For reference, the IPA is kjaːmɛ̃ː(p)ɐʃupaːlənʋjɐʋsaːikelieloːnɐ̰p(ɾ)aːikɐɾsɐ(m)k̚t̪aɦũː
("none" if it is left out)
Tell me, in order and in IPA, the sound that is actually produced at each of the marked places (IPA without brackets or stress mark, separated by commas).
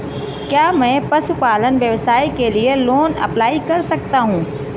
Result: p, l, none